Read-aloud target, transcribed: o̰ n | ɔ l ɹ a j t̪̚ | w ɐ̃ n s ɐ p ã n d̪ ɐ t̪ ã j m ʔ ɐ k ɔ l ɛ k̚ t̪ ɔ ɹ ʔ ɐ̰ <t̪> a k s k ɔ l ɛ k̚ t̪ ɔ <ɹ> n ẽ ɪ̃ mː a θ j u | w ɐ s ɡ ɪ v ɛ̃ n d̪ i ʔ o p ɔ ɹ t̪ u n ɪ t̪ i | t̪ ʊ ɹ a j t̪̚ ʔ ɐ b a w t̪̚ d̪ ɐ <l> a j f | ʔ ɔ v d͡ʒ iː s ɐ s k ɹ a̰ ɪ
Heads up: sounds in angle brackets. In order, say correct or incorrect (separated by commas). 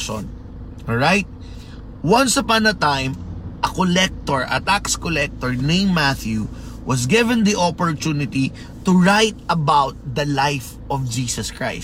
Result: correct, correct, correct